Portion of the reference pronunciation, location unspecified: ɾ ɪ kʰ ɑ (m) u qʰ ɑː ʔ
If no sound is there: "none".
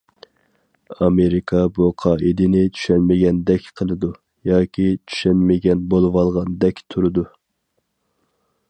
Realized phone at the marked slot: b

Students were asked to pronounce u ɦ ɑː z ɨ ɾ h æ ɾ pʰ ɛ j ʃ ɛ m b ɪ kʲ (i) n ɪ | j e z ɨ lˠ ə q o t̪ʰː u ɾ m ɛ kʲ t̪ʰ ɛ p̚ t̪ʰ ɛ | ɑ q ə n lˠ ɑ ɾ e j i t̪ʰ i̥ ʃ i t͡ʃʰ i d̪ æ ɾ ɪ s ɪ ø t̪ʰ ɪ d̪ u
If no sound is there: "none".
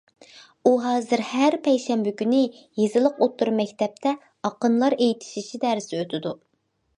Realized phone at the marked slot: y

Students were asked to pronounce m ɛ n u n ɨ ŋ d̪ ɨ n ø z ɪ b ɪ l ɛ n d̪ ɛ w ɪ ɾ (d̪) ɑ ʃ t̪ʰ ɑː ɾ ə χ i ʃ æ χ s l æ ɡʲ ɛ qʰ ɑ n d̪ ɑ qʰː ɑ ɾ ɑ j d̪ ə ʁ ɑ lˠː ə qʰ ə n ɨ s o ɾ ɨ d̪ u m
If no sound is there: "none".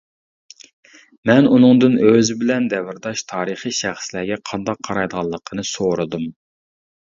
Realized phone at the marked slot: d̪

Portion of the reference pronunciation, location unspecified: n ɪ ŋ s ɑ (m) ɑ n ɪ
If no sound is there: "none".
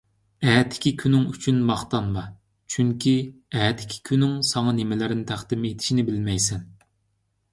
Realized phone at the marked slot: ŋ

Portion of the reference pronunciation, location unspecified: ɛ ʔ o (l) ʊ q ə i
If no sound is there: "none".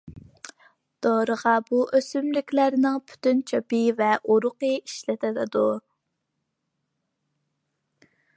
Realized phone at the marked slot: ɾ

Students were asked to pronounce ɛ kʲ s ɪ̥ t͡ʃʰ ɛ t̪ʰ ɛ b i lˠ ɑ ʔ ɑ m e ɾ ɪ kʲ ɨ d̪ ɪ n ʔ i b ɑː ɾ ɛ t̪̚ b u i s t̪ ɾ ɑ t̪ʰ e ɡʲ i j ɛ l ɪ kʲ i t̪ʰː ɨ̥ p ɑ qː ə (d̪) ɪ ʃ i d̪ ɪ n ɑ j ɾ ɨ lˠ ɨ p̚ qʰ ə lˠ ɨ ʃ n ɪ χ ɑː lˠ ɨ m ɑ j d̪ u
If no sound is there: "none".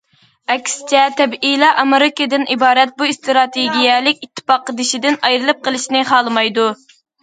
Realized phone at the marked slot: d̪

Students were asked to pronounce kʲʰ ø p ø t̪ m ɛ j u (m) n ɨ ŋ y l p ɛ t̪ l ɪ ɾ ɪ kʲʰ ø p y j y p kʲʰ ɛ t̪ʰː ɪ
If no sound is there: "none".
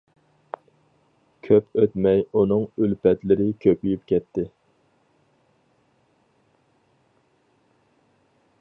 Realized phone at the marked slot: none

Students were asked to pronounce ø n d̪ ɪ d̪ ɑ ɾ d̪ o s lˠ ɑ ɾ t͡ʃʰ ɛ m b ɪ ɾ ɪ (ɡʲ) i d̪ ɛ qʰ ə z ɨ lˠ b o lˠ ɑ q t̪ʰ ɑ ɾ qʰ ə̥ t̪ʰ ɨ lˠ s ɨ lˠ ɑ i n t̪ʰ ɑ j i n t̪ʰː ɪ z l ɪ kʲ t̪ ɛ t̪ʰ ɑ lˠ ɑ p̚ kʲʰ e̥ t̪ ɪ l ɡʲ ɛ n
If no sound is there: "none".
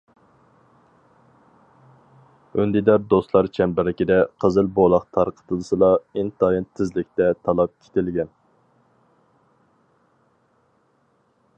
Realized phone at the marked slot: kʲ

